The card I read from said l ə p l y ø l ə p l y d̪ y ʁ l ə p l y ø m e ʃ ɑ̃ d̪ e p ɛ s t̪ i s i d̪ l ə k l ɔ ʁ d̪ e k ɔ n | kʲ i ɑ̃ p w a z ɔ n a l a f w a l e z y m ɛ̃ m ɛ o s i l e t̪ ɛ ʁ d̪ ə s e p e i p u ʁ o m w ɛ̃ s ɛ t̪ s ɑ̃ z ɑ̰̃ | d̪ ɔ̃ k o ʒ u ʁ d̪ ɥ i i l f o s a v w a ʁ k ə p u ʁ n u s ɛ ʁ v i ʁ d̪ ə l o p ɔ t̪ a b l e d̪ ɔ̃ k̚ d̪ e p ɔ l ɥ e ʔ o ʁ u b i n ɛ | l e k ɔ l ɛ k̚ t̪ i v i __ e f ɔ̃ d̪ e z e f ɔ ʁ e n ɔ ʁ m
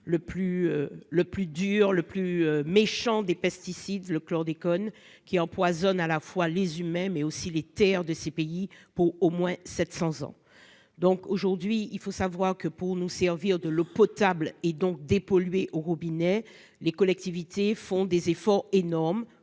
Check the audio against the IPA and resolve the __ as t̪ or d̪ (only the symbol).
t̪